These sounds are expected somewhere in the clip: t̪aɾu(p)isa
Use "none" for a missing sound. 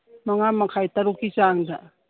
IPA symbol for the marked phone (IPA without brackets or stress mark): k